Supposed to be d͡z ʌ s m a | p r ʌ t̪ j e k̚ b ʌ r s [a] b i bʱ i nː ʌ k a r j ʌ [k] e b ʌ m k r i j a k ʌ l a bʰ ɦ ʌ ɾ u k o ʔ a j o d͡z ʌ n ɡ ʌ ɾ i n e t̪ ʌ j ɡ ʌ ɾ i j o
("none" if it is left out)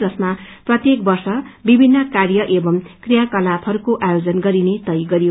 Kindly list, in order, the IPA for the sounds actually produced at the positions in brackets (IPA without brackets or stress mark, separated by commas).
ʌ, ʔ